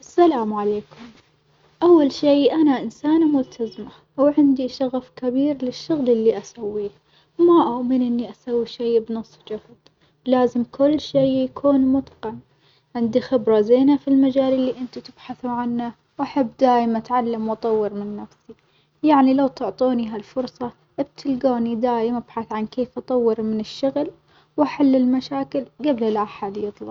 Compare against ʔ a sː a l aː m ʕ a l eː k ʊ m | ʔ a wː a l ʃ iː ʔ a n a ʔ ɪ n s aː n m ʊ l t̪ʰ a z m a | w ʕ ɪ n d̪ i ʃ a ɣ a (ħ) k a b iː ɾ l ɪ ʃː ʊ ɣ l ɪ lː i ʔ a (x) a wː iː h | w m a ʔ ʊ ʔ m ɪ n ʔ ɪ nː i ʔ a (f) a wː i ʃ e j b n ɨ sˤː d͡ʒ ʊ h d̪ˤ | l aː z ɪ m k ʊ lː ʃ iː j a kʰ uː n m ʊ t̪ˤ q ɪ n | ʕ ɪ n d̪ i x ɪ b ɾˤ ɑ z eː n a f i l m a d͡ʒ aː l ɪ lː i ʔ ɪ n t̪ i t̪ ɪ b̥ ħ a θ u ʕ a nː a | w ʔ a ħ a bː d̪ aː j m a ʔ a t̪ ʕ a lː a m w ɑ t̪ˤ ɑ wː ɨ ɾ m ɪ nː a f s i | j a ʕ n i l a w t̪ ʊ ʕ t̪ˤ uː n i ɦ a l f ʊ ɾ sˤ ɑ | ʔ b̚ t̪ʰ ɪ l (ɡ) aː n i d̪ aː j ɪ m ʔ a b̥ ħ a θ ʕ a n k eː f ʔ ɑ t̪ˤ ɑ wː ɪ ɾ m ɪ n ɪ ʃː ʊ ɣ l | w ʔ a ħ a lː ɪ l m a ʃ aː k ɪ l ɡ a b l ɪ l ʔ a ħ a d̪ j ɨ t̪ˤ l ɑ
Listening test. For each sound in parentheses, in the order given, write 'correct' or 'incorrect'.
incorrect: f, incorrect: s, incorrect: s, correct

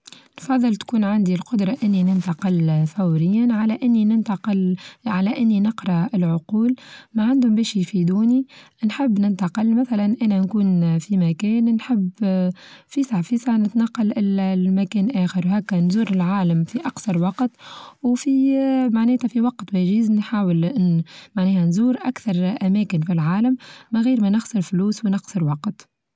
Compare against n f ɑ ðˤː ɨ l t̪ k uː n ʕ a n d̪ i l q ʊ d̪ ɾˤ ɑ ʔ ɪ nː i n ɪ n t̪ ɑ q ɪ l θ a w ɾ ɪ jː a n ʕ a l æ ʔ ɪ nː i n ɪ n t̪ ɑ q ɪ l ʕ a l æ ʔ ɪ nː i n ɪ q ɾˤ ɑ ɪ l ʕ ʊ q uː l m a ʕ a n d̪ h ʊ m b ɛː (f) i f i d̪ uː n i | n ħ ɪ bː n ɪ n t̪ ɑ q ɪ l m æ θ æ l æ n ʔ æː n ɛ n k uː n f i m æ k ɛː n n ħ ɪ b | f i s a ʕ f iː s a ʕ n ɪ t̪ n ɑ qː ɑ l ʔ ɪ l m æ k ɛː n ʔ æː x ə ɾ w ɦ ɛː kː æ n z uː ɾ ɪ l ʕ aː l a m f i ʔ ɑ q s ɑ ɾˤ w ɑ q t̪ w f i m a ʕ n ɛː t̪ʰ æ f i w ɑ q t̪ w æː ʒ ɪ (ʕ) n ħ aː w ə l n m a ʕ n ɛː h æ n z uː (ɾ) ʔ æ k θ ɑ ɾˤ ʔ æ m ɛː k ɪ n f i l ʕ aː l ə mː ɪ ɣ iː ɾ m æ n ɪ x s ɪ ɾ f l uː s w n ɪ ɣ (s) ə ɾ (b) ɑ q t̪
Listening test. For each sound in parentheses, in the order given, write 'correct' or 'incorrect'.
incorrect: ʃ, incorrect: z, correct, correct, incorrect: w

